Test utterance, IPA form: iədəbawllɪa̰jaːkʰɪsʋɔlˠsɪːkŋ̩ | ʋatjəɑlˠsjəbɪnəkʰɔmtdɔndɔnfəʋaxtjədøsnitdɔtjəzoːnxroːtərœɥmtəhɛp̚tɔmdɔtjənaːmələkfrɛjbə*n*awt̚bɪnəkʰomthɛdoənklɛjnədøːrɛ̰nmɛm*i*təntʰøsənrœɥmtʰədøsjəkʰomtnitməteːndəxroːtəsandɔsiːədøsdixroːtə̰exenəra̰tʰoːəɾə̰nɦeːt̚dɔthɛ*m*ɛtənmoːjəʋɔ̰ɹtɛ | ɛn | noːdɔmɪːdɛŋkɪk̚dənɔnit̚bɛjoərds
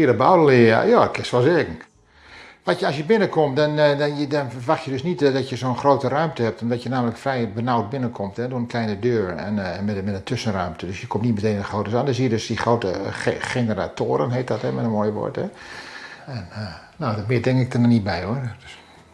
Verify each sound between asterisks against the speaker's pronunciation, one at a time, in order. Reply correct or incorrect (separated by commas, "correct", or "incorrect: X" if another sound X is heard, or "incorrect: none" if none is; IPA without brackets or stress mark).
correct, incorrect: ɛ, correct